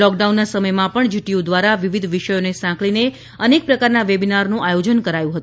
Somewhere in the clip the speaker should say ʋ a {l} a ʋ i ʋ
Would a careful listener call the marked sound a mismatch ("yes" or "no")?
yes